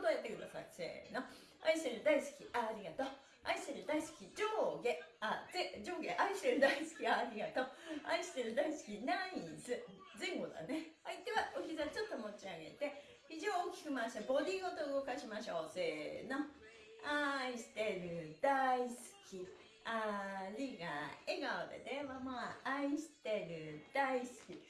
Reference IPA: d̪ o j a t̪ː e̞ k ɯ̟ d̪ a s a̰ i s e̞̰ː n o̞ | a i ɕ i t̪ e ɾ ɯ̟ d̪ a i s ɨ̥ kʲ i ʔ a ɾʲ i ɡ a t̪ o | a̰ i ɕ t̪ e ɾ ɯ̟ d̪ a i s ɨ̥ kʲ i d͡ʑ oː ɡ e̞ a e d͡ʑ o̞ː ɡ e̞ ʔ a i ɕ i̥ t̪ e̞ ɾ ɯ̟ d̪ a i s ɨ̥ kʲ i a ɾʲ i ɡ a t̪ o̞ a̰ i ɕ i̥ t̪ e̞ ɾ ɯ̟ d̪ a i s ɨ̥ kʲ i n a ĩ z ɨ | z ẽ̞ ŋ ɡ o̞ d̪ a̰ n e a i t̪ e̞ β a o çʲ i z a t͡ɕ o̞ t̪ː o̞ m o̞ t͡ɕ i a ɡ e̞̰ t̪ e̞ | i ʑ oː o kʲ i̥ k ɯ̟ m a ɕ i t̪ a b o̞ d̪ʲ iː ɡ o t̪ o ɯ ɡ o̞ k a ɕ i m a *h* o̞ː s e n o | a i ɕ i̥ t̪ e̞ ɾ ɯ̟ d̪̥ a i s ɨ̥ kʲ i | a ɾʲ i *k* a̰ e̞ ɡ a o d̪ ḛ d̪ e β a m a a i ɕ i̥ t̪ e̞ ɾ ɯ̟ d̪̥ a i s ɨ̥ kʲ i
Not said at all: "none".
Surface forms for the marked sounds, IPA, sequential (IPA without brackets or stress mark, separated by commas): ɕ, ɡ